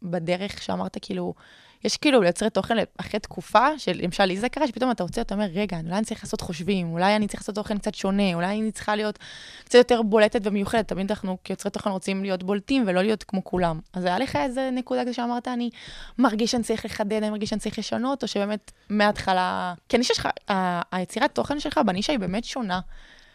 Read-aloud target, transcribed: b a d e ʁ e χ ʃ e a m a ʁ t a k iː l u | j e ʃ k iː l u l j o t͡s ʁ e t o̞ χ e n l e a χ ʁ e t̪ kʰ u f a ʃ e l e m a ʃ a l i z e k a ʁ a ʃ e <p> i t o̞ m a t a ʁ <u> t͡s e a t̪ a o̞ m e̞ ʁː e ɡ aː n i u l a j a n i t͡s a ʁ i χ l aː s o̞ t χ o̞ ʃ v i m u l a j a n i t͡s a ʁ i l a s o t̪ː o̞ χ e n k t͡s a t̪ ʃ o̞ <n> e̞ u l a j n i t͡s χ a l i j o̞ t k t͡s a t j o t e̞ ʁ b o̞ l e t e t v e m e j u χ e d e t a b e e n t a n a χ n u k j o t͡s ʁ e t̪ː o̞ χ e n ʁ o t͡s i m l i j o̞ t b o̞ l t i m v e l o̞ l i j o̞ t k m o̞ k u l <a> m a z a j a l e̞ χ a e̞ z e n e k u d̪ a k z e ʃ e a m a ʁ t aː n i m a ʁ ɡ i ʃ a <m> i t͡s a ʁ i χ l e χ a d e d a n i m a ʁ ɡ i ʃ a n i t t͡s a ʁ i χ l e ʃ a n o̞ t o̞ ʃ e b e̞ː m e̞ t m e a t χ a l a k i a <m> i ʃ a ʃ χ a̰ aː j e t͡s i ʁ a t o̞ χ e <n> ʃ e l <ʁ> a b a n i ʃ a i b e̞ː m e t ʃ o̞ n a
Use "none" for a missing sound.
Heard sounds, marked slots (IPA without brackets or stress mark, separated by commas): p, o, n, a, n, n, n, χ